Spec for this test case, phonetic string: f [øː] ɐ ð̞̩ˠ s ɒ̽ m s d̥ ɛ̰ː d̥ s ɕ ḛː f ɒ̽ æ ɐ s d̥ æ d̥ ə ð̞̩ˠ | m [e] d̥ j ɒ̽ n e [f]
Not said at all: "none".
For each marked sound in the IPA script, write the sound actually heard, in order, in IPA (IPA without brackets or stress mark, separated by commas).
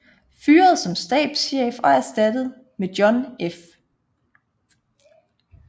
yː, e, f